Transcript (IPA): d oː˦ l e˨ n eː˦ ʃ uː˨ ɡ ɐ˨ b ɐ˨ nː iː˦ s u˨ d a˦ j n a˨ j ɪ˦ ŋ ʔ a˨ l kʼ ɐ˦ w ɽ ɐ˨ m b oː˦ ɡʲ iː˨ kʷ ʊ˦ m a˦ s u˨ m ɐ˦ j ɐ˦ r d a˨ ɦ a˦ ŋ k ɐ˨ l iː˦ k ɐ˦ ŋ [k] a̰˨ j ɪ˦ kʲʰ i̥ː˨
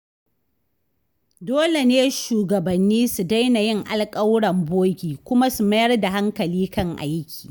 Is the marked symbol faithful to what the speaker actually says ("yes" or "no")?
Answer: no